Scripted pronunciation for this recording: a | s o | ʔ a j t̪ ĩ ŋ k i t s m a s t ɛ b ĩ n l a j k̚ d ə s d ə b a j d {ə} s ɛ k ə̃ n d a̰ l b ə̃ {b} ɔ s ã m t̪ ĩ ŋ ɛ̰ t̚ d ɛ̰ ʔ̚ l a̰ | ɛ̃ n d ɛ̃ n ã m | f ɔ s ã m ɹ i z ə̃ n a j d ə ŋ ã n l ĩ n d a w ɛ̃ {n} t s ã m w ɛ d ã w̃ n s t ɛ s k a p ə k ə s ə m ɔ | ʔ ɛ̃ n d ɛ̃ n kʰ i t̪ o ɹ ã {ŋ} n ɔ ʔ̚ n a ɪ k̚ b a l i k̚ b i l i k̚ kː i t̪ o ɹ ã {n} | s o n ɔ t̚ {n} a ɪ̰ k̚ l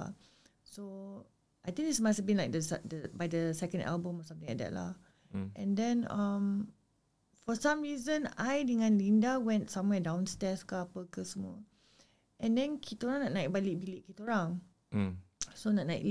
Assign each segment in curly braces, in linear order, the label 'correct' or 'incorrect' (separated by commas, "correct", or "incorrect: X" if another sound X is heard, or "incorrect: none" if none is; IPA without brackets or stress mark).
correct, incorrect: m, correct, correct, incorrect: ŋ, correct